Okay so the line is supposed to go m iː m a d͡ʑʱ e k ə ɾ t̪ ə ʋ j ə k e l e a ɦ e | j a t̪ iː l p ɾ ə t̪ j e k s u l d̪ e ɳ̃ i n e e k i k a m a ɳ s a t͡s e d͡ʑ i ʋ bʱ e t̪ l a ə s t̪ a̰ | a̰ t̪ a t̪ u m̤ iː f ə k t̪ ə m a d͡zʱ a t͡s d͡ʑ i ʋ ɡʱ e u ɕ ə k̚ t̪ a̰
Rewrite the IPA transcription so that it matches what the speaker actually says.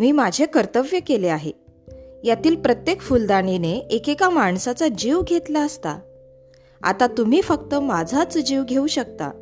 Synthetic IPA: m iː m a d͡ʑʱ e k ə ɾ t̪ ə ʋ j ə k e l e a ɦ e | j a t̪ iː l p ɾ ə t̪ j e k f u l d̪ a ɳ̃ i n e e k e k a m a ɳ s a t͡s a d͡ʑ i ʋ ɡʱ e t̪ l a ə s t̪ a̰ | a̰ t̪ a t̪ u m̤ iː f ə k t̪ ə m a d͡zʱ a t͡s d͡ʑ i ʋ ɡʱ e u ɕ ə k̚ t̪ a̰